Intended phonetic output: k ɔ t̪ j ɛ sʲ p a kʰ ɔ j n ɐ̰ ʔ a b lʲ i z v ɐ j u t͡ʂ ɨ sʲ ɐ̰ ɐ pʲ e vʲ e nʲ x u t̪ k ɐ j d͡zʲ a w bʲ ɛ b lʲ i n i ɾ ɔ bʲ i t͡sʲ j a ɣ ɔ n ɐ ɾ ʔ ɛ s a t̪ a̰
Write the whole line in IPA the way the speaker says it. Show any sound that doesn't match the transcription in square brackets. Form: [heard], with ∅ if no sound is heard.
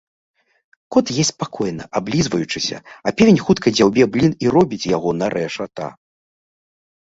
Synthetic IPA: k ɔ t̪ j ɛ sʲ p a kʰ ɔ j n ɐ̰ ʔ a b lʲ i z v ɐ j u t͡ʂ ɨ sʲ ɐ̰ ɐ pʲ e vʲ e nʲ x u t̪ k ɐ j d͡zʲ a w bʲ ɛ b lʲ i n i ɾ ɔ bʲ i t͡sʲ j a ɣ ɔ n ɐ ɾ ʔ ɛ [ʂ] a t̪ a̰